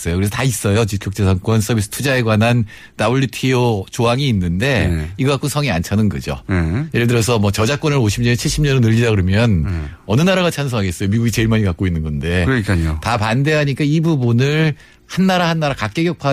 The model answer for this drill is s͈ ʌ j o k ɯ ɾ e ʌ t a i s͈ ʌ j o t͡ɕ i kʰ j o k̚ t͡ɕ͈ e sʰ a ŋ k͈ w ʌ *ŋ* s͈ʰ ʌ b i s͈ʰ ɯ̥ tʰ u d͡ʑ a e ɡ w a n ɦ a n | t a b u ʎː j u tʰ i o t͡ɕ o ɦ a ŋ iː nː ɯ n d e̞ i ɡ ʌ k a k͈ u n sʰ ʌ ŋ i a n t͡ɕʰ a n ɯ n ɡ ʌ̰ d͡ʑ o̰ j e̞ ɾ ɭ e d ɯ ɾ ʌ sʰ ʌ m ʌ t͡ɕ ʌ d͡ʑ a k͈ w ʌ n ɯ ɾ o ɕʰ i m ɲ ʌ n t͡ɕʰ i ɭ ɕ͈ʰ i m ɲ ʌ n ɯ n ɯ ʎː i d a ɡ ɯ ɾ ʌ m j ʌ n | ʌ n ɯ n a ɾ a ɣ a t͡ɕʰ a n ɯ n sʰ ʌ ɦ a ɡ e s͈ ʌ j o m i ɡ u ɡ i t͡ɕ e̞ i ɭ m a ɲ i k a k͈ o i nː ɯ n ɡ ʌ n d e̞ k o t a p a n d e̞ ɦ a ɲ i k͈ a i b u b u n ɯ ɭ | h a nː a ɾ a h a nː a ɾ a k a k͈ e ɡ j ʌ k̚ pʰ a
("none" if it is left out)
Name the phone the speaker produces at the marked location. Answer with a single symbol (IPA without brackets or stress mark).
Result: n